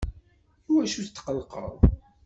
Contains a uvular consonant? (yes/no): yes